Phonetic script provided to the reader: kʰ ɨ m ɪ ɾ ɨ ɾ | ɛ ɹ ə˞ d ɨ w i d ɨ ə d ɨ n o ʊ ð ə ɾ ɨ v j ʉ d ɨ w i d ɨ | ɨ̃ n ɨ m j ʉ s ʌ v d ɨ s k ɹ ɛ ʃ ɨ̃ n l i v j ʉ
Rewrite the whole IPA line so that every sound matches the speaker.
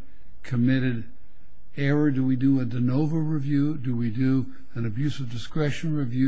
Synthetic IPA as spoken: kʰ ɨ m ɪ ɾ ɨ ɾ | ɛ ɹ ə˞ d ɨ w i d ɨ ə d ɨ n o ʊ v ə ɹ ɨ v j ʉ d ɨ w i d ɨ | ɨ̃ n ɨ b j ʉ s ʌ v d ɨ s k ɹ ɛ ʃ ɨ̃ n ɹ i v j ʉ